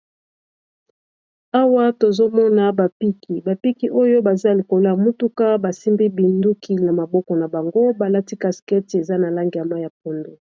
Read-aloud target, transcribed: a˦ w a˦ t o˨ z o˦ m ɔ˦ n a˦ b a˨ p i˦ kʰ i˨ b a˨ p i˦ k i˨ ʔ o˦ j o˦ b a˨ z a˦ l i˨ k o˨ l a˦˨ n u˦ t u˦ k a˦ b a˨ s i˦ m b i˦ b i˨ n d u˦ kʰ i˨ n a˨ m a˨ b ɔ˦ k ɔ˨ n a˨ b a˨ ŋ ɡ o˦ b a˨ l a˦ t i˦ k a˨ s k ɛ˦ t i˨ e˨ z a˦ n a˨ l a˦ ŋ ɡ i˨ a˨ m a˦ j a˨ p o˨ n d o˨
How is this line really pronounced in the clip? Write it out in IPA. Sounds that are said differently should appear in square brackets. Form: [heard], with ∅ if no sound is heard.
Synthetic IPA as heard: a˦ w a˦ t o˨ z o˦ m ɔ˦ n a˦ b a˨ p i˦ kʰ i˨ b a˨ p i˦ k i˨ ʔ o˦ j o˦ b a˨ z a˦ l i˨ k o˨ l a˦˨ [m] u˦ t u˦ k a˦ b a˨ s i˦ m b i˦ b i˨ n d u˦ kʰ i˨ n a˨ m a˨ b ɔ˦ k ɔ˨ n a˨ b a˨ ŋ ɡ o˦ b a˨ l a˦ t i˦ k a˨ s k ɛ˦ t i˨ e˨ z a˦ n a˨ l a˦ ŋ ɡ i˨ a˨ m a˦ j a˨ p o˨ n d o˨